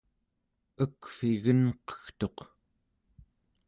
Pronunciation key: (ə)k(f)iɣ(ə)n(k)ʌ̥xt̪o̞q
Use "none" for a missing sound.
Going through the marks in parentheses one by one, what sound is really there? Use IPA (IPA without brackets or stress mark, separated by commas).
ə, f, ə, q